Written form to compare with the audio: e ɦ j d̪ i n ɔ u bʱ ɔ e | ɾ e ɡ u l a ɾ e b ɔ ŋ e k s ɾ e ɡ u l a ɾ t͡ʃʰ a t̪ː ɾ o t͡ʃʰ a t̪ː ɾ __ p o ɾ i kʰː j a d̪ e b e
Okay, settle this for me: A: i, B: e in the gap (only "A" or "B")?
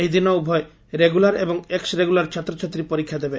A